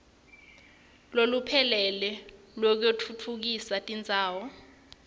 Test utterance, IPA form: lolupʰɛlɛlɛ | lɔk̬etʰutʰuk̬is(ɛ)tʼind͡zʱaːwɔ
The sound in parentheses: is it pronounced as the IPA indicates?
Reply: no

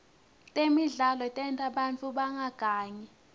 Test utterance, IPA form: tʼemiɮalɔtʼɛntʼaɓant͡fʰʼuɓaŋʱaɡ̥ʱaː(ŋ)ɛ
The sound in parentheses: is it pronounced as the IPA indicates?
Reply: no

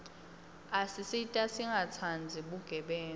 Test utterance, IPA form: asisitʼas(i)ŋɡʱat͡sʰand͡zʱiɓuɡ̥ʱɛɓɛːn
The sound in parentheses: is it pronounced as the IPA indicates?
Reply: yes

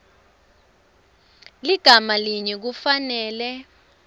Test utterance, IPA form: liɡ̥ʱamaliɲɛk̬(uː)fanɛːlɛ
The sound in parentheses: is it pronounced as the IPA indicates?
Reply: no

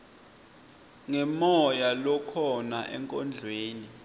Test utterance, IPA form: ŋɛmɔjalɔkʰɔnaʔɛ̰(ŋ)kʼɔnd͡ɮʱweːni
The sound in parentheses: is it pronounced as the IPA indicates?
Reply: yes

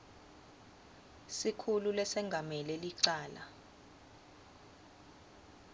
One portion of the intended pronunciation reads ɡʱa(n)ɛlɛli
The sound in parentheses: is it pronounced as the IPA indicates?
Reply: no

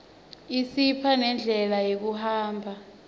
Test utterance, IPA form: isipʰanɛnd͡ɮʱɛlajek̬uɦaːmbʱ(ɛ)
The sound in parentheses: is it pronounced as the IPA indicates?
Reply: no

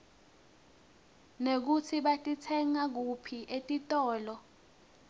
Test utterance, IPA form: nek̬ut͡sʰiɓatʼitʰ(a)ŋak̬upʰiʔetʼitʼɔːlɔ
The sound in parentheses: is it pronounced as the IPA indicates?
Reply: no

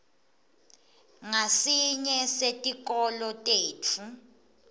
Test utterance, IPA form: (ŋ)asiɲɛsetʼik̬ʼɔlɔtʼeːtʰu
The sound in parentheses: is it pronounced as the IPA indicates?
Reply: yes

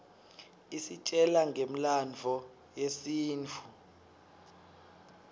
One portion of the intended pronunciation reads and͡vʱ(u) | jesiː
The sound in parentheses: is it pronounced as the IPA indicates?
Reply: no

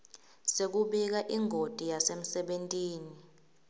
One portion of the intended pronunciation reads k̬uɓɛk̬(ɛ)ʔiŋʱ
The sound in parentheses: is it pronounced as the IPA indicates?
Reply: no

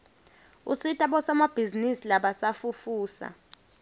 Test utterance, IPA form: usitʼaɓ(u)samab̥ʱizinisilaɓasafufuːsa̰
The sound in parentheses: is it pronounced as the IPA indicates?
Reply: no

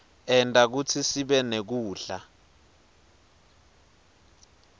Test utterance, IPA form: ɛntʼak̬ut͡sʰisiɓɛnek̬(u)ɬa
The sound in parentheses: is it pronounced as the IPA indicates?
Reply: no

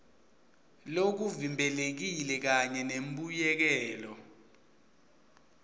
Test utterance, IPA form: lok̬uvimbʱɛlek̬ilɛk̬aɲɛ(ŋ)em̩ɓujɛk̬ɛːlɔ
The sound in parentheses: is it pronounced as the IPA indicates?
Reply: no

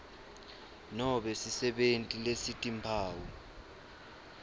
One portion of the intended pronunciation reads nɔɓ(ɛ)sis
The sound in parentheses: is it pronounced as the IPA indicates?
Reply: yes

